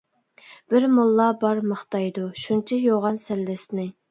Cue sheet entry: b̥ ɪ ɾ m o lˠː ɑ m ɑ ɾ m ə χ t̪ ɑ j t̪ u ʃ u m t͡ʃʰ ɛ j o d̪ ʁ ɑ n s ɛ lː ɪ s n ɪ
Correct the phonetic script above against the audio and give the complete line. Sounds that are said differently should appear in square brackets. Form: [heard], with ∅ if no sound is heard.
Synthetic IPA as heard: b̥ ɪ ɾ m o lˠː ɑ [b] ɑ ɾ m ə χ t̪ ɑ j [d̪] u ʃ u [n] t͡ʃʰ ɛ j o [∅] ʁ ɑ n s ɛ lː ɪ s n ɪ